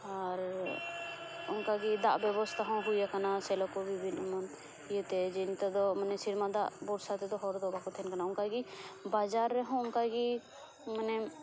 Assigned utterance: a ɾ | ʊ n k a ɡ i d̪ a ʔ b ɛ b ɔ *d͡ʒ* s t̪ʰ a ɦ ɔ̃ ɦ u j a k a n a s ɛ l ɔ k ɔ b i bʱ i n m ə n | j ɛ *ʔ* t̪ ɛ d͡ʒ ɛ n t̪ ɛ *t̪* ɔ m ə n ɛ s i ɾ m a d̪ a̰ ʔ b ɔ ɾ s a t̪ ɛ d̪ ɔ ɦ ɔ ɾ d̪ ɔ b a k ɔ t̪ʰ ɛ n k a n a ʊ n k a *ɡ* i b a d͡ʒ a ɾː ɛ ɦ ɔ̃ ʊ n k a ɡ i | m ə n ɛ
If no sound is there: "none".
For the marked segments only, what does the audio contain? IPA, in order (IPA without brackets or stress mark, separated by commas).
none, none, d̪, ɡ